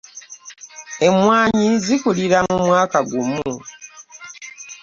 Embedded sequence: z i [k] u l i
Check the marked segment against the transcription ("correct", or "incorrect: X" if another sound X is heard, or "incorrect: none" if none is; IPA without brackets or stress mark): correct